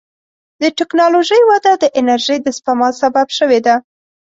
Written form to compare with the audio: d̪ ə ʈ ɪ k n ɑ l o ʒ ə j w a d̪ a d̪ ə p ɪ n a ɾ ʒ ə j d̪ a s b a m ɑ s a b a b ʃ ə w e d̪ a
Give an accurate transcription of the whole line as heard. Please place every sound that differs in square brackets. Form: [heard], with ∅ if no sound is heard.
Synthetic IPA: d̪ ə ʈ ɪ k n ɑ l o ʒ ə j w a d̪ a d̪ ə [ʔ] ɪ n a ɾ ʒ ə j d̪ [ə] s [p] a m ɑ s a b a b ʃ ə w e d̪ a